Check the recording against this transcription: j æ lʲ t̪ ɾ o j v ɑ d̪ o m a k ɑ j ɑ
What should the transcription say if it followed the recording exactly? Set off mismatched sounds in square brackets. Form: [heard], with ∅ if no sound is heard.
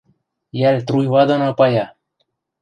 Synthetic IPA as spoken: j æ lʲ t̪ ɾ [u] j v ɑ d̪ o [n] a [p] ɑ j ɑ